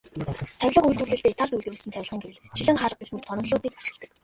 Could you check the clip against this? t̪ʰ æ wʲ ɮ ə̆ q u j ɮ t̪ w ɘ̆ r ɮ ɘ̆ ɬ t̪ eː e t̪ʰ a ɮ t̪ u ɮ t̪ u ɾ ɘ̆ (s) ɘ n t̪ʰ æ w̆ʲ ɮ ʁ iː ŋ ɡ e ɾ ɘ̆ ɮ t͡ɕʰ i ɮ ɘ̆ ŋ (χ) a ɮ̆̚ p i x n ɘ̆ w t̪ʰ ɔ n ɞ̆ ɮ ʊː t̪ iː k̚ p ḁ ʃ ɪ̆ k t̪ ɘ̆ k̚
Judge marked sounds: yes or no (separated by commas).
yes, yes